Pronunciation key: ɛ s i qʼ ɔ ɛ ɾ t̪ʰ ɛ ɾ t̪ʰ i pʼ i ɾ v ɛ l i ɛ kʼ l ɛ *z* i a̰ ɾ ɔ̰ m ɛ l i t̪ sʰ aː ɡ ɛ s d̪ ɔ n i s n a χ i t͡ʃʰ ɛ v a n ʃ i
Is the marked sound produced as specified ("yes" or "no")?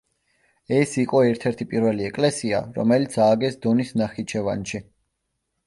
no